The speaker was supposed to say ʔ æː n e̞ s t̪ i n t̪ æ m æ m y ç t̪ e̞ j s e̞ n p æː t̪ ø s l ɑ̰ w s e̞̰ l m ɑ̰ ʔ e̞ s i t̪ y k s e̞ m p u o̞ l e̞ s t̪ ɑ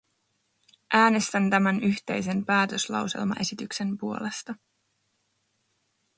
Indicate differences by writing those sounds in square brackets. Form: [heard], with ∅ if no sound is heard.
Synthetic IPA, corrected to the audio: ʔ æː n e̞ s t̪ [æ] n t̪ æ m æ [n] y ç t̪ e̞ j s e̞ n p æː t̪ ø s l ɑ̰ w s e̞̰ l m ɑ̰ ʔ e̞ s i t̪ y k s e̞ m p u o̞ l e̞ s t̪ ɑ